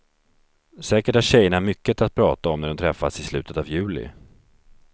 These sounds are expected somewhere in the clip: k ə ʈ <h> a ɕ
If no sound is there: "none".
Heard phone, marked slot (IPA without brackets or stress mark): h